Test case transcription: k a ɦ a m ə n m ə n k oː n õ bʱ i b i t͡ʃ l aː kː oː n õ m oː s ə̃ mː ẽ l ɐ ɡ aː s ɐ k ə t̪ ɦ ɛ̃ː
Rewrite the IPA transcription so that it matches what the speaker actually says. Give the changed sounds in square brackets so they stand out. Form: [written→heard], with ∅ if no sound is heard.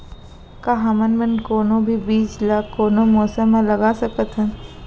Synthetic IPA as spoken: k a ɦ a m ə n m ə n k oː n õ bʱ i b [i→iː] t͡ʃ l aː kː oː n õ m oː s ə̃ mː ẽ l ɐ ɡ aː s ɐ k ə t̪ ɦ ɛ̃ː